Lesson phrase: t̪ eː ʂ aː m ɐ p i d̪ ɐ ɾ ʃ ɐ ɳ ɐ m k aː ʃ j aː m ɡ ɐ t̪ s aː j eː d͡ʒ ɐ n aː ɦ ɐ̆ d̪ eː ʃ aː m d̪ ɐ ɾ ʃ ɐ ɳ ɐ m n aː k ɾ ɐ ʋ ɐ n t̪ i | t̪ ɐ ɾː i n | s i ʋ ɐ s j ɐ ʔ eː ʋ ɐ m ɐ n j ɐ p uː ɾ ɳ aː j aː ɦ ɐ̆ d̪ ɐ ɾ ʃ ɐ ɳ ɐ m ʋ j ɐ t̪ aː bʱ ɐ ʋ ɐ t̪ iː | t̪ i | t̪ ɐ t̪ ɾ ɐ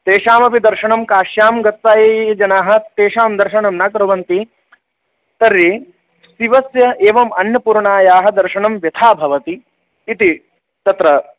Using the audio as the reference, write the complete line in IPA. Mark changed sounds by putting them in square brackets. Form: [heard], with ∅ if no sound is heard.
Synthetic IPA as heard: t̪ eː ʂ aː m ɐ p i d̪ ɐ ɾ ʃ ɐ ɳ ɐ m k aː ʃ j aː m ɡ ɐ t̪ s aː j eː d͡ʒ ɐ n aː ɦ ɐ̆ [t̪] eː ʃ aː m d̪ ɐ ɾ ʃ ɐ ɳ ɐ m n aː k ɾ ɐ ʋ ɐ n t̪ i | t̪ ɐ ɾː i [∅] | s i ʋ ɐ s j ɐ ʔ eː ʋ ɐ m ɐ n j ɐ p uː ɾ ɳ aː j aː ɦ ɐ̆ d̪ ɐ ɾ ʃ ɐ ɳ ɐ m ʋ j ɐ [t̪ʰ] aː bʱ ɐ ʋ ɐ t̪ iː | t̪ i | t̪ ɐ t̪ ɾ ɐ